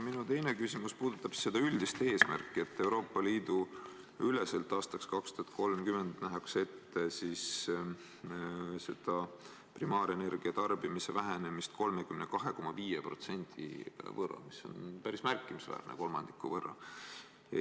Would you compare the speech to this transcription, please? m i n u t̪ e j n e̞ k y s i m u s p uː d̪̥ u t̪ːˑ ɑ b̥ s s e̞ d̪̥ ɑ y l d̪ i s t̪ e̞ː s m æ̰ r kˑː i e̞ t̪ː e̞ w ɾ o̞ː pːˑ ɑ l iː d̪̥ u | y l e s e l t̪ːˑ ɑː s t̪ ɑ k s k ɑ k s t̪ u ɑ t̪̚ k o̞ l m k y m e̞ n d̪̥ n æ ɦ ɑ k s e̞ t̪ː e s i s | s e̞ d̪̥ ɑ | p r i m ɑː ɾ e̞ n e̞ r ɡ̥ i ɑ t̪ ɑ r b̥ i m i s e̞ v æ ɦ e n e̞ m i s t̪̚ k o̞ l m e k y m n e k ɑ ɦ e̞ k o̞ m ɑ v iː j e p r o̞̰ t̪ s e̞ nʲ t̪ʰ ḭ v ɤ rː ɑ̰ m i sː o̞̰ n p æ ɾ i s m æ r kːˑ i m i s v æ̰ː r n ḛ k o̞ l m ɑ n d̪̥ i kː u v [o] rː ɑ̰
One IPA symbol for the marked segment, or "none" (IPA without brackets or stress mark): ɤ